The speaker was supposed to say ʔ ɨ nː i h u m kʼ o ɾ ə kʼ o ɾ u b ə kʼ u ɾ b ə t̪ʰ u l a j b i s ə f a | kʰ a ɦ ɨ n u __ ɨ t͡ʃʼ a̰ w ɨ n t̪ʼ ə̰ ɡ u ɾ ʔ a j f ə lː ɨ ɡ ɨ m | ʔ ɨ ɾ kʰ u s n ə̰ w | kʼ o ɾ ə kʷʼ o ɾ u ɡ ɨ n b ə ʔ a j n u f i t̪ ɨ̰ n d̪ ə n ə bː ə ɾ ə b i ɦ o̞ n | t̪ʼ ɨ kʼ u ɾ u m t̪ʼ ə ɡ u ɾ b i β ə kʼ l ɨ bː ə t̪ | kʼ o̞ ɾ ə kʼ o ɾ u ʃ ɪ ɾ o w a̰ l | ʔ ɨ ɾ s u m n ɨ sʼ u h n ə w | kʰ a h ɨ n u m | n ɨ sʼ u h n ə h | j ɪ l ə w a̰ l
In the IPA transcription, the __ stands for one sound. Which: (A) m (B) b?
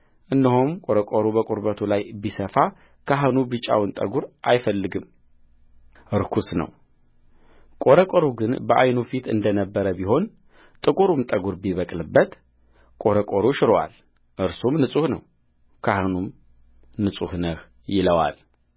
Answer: B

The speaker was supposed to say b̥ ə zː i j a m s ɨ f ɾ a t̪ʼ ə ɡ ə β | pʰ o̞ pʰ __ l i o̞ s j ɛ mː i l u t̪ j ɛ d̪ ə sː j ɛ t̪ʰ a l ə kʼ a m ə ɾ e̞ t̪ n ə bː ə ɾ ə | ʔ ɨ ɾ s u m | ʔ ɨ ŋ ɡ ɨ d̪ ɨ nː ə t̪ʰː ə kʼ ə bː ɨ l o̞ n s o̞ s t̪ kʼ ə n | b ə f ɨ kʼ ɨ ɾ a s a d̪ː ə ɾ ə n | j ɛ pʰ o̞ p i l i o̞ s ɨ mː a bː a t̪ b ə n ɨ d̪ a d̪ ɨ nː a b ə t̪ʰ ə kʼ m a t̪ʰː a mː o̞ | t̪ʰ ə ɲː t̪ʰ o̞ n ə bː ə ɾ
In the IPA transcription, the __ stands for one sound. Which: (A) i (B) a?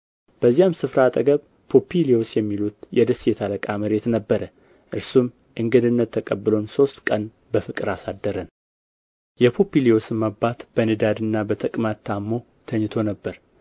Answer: A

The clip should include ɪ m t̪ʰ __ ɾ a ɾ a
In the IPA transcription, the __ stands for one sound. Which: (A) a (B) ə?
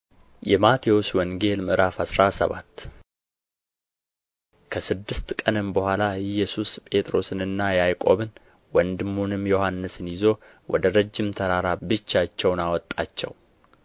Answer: B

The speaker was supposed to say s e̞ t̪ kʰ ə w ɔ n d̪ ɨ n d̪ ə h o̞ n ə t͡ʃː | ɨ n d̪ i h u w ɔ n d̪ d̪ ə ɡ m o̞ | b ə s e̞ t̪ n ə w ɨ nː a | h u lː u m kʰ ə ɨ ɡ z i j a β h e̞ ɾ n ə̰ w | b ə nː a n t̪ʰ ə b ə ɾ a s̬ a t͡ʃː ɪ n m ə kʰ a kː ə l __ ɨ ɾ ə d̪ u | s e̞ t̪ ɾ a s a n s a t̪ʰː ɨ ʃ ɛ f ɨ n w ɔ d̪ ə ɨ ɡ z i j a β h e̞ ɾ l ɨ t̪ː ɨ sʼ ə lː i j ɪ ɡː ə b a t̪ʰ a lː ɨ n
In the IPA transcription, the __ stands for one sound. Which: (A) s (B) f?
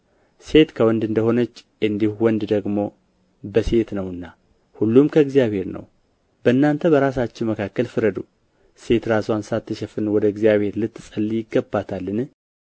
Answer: B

